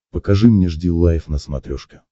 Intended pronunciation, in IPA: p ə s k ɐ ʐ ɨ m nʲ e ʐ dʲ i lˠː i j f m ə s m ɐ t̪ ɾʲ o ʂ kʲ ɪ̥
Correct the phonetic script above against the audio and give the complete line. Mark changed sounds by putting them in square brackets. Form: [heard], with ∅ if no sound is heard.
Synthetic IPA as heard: p ə [∅] k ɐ ʐ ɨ m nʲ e ʐ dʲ i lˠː [a] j f [n] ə s m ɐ t̪ ɾʲ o ʂ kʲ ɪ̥